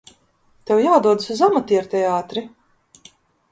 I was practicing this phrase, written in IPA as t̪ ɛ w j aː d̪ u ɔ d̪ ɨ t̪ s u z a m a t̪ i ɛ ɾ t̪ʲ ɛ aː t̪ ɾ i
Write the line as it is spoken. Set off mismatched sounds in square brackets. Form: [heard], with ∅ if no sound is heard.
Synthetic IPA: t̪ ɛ w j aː d̪ u ɔ d̪ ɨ [∅] s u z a m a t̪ i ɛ ɾ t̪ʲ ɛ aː t̪ ɾ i